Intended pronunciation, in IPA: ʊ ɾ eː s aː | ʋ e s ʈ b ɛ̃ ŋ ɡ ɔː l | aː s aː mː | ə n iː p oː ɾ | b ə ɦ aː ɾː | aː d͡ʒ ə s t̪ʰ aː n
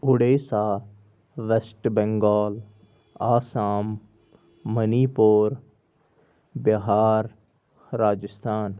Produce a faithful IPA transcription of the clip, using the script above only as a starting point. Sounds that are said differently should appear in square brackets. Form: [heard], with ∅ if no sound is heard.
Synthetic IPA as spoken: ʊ [ɽ] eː s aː | ʋ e s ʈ b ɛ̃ ŋ ɡ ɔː l | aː s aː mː | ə n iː p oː ɾ | b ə ɦ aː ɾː | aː d͡ʒ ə s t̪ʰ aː n